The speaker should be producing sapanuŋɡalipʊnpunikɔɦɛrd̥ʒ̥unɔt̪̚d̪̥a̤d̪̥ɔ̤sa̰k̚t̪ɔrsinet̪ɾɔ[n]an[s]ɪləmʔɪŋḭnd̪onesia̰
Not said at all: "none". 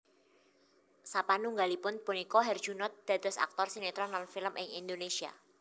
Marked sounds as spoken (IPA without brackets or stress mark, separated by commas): n, f